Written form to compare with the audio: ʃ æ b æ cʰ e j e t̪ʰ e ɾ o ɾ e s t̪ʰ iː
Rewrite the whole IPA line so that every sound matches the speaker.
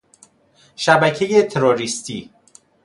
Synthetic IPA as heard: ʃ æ b æ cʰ e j e t̪ʰ e ɾ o ɾ i s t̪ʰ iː